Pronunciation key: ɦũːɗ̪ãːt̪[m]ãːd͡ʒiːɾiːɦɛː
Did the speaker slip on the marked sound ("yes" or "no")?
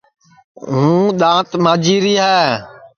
no